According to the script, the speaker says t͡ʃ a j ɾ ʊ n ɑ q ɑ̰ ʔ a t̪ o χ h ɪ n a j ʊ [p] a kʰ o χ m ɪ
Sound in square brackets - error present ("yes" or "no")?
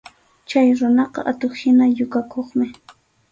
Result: yes